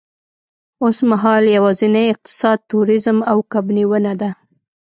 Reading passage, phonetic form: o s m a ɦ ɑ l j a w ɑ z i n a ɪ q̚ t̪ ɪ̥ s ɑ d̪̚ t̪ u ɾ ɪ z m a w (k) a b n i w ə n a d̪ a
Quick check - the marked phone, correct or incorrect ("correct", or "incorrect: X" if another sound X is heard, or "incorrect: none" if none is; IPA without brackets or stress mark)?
correct